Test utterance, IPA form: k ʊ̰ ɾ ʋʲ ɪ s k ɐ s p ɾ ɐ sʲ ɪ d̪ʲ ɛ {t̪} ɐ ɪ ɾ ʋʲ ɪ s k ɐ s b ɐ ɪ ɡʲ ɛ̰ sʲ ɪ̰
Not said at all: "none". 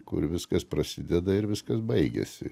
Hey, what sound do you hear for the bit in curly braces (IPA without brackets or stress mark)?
d̪